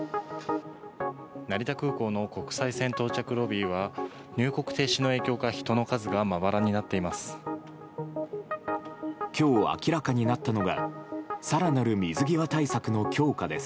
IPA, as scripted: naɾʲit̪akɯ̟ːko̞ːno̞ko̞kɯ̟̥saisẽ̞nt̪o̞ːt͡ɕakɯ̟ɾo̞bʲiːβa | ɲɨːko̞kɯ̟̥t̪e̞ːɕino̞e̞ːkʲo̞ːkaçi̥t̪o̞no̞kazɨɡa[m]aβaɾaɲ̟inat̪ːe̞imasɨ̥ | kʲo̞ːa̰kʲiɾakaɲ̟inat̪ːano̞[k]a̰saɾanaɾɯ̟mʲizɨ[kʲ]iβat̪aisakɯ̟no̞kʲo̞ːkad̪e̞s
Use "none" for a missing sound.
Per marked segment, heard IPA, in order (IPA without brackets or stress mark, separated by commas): m, ɡ, ɡʲ